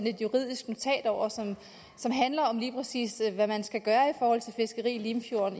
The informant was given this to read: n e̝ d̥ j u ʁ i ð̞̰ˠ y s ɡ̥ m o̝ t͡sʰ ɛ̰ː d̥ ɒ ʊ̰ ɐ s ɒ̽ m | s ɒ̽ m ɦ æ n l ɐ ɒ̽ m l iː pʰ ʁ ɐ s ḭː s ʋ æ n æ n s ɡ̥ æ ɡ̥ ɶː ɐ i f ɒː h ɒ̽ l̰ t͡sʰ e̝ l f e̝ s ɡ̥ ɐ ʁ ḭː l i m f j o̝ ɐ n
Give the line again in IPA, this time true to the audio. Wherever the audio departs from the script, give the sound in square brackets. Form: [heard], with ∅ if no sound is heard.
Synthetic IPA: n e̝ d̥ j u ʁ i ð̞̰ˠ [i] s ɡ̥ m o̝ t͡sʰ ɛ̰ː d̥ ɒ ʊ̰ ɐ s ɒ̽ m | s ɒ̽ m ɦ æ n l ɐ ɒ̽ m l iː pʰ ʁ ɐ s ḭː s ʋ æ [m] æ n s ɡ̥ æ ɡ̥ ɶː ɐ i f ɒː h ɒ̽ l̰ t͡sʰ e̝ l f e̝ s ɡ̥ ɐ ʁ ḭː l i m f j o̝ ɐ n